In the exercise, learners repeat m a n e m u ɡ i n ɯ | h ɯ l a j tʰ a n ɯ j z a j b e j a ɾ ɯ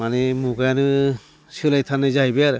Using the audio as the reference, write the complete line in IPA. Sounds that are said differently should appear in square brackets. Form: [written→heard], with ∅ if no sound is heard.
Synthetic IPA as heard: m a n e m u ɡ [i→a] n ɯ | [h→s] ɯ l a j tʰ a n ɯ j z a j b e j a ɾ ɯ